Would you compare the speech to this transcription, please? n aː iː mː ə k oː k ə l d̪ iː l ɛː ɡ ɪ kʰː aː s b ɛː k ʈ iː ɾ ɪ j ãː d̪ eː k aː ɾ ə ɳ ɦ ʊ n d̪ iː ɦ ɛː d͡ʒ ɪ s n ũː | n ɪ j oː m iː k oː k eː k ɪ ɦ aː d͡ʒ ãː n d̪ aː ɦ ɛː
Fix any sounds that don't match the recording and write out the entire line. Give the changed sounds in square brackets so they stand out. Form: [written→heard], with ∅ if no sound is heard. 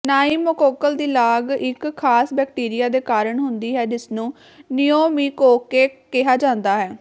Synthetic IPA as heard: n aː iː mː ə k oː k ə l d̪ iː l [ɛː→aː] ɡ ɪ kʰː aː s b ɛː k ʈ iː ɾ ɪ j [ãː→aː] d̪ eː k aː ɾ ə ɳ ɦ ʊ n d̪ iː ɦ ɛː d͡ʒ ɪ s n ũː | n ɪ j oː m iː k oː k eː k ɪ ɦ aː d͡ʒ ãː n d̪ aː ɦ ɛː